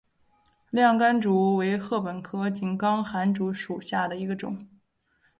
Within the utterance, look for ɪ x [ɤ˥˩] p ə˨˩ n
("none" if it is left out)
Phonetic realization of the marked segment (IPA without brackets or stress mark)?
ɤ˥˩